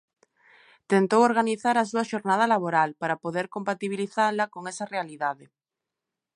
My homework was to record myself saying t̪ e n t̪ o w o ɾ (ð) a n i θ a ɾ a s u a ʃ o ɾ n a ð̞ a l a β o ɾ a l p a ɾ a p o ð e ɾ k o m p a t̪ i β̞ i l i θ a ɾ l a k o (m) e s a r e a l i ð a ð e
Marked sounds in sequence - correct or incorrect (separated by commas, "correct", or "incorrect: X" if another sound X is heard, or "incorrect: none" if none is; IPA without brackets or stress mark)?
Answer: incorrect: ɣ, incorrect: ŋ